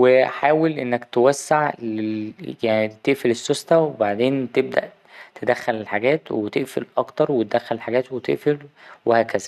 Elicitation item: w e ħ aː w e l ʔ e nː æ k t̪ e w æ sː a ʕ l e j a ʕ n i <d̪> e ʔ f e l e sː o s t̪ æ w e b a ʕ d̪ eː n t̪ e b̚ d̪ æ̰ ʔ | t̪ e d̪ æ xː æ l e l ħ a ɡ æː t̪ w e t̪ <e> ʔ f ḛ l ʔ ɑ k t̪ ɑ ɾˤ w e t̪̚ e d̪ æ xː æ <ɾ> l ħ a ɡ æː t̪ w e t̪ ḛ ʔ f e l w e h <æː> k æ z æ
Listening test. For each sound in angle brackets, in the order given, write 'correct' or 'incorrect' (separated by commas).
incorrect, correct, incorrect, correct